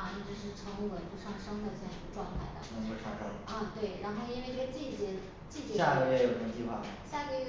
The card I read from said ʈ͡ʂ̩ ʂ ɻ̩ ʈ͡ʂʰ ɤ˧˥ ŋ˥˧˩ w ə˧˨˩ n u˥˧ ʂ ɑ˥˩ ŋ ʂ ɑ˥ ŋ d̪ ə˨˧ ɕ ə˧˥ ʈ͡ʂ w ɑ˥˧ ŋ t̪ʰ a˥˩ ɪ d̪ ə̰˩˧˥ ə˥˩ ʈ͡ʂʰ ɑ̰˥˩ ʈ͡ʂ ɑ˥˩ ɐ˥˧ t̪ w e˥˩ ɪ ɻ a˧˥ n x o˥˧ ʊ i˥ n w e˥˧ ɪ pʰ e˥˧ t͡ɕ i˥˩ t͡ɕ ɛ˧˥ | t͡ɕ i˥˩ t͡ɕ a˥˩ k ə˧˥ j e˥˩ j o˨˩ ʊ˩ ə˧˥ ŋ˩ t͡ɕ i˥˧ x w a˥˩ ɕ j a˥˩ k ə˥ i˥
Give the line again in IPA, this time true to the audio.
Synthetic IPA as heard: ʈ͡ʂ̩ ʂ ɻ̩ ʈ͡ʂʰ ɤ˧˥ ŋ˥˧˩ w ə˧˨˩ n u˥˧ ʂ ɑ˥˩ ŋ ʂ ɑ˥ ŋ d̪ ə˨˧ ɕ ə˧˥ ʈ͡ʂ w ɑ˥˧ ŋ t̪ʰ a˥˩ ɪ d̪ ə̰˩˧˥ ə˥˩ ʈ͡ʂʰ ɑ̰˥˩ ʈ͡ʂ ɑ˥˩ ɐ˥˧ t̪ w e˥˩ ɪ ɻ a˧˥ n x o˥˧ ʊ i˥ n w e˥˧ ɪ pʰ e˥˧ t͡ɕ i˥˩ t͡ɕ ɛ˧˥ | t͡ɕ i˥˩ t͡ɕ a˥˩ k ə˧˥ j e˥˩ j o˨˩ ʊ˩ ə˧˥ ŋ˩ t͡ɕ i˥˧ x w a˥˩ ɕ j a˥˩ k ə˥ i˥